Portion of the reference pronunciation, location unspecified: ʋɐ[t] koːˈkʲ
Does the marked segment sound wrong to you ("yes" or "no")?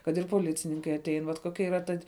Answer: no